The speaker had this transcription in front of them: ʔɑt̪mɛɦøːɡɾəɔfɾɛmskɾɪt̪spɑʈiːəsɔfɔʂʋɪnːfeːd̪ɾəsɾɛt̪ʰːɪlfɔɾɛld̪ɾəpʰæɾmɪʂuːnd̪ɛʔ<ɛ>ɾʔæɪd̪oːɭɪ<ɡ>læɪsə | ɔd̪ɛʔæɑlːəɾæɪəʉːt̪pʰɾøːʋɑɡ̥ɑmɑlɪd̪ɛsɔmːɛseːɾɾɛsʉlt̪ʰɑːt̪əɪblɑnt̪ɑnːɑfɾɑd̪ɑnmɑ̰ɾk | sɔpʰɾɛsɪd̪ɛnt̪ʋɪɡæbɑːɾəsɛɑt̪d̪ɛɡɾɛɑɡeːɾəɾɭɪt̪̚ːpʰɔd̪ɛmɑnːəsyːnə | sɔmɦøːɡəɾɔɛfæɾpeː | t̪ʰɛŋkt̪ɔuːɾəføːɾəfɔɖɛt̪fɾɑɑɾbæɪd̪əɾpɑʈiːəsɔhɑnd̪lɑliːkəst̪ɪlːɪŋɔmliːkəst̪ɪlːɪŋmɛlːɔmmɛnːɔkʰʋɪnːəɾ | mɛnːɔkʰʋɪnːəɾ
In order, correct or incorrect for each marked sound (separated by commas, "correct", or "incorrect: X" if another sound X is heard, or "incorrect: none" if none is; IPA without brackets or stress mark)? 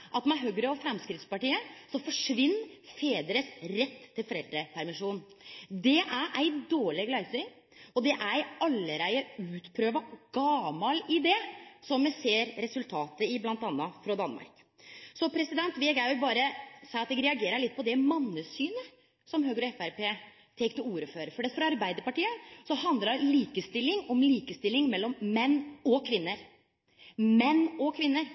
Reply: incorrect: æ, correct